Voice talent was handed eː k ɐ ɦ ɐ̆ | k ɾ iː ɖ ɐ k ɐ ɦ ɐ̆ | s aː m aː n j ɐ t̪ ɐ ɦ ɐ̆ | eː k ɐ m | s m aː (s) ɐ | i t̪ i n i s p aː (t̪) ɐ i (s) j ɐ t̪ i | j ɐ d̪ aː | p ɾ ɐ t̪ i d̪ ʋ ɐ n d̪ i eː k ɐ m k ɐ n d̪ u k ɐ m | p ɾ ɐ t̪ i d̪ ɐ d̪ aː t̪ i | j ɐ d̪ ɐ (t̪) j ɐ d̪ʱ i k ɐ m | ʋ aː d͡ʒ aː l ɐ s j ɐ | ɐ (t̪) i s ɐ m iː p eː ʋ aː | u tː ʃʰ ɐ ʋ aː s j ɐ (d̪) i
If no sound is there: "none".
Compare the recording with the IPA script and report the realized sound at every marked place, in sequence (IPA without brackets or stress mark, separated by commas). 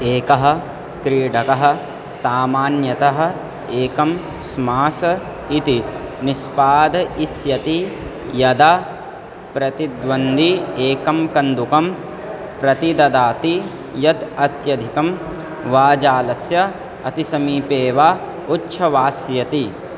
s, d̪, s, t̪, t̪, t̪